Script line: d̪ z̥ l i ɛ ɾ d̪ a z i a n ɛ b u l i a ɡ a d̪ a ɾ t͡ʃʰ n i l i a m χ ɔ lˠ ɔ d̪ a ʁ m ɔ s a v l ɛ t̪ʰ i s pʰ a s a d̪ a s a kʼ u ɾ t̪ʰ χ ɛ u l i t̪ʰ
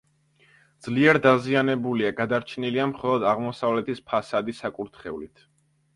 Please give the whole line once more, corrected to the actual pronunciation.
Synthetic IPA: d̪ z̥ l i ɛ ɾ d̪ a z i a n ɛ b u l i a ɡ a d̪ a ɾ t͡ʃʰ n i l i a m χ ɔ lˠ ɔ d̪ a ʁ m ɔ s a v l ɛ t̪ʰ i s pʰ a s a d̪ i s a kʼ u ɾ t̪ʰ χ ɛ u l i t̪ʰ